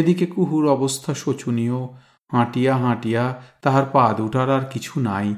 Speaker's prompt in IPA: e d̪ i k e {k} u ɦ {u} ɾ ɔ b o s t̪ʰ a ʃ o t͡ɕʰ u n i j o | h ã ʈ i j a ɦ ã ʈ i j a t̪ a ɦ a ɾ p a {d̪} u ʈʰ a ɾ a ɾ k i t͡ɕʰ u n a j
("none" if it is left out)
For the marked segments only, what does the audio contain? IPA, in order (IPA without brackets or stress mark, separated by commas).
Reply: k, u, d̪